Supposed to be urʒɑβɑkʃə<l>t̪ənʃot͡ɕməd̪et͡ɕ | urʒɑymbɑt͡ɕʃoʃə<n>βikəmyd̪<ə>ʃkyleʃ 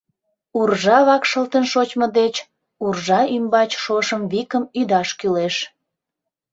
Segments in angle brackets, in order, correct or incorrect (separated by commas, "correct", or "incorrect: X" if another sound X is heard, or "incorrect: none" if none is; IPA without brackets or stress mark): correct, incorrect: m, incorrect: ɑ